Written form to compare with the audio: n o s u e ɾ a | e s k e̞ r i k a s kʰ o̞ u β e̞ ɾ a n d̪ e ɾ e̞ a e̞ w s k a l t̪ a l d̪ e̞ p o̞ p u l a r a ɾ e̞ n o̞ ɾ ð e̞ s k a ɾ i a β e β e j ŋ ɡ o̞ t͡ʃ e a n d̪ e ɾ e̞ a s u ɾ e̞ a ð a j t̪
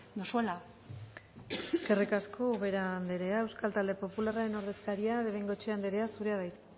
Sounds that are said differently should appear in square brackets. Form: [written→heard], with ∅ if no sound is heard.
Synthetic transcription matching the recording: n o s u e [ɾ→l] a | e s k e̞ r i k a s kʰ o̞ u β e̞ ɾ a n d̪ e ɾ e̞ a e̞ w s k a l t̪ a l d̪ e̞ p o̞ p u l a r a ɾ e̞ n o̞ ɾ ð e̞ s k a ɾ i a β e β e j ŋ ɡ o̞ t͡ʃ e a n d̪ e ɾ e̞ a s u ɾ e̞ a ð a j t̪